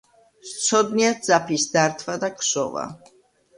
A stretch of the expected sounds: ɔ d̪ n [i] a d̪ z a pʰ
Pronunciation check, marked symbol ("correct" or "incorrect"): correct